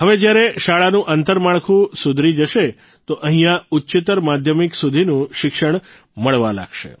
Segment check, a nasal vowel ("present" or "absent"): present